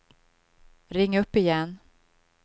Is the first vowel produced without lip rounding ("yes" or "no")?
yes